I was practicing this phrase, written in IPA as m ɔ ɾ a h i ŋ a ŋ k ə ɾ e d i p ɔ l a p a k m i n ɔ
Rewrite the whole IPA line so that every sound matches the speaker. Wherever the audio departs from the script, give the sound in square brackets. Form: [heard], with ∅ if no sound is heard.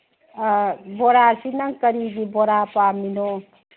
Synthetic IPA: [b] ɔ ɾ a [s] i [n] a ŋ k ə ɾ [i] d i [b] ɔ [ɾ] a p a [∅] m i n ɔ